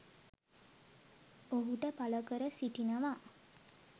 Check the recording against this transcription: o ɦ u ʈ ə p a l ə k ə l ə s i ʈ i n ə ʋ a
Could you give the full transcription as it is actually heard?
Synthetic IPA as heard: o ɦ u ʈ ə p a l ə k ə ɾ ə s i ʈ i n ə ʋ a